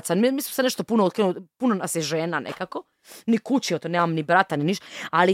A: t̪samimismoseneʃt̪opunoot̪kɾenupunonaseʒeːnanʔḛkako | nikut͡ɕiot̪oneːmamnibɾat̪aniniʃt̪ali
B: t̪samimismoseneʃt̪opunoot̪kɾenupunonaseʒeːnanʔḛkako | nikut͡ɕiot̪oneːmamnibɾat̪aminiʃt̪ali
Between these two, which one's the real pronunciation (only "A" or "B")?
A